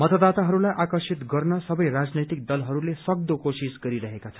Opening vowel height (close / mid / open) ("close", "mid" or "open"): mid